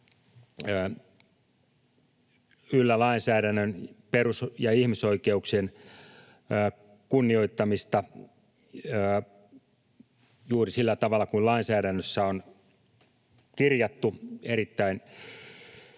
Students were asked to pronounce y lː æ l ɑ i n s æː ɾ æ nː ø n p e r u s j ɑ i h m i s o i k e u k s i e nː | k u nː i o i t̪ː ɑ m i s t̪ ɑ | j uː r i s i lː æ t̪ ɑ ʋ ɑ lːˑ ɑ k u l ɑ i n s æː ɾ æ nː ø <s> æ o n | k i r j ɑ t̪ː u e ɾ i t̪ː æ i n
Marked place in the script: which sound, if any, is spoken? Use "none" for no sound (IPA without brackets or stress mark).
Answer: sː